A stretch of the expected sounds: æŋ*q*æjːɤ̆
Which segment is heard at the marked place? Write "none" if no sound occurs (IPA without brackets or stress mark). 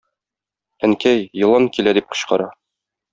k